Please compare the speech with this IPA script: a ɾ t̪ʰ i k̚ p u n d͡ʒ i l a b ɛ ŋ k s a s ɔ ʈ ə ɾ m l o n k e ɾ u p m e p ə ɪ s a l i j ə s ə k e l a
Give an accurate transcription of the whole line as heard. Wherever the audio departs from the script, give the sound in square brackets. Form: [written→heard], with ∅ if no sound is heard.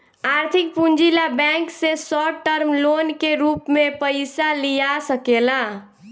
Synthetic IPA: a ɾ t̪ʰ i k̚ p u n d͡ʒ i l a b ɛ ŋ k s [a→e] s ɔ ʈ ə ɾ m l o n k e ɾ u p m e p ə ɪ s a l i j [ə→a] s ə k e l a